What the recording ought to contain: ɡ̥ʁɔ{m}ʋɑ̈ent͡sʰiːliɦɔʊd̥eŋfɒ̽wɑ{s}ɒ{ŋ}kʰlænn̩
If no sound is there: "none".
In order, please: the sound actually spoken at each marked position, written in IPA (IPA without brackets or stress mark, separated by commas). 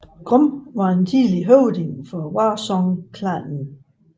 m, s, ŋ